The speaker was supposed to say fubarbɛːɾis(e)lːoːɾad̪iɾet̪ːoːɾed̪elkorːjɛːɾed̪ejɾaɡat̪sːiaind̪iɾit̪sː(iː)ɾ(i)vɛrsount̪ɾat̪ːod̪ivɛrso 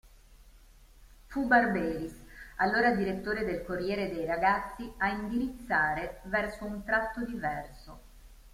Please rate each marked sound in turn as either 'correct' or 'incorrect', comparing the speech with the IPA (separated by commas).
incorrect, incorrect, incorrect